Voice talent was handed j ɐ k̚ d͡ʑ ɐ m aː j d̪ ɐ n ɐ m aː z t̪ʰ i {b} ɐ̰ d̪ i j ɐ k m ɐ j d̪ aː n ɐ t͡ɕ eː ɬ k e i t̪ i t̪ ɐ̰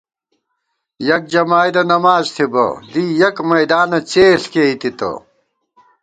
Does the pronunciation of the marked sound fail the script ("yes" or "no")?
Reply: no